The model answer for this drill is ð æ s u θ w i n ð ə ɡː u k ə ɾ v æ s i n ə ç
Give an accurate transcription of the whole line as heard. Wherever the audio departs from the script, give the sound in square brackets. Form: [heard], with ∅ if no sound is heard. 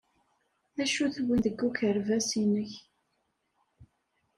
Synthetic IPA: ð æ [ʃ] u θ w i n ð ə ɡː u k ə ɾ v æ s i n ə ç